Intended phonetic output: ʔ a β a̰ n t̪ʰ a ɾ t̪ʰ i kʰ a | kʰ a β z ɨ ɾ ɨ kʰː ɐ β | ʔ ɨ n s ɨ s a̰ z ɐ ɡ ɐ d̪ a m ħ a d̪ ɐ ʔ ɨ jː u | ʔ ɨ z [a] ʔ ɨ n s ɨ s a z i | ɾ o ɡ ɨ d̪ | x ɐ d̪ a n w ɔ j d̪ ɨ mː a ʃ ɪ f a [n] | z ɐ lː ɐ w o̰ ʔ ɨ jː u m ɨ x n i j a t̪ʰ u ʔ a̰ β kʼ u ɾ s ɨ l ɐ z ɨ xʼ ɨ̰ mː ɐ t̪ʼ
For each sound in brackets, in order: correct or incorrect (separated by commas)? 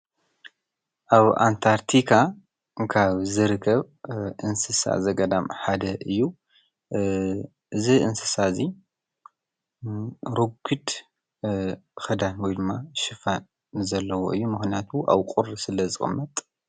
incorrect, correct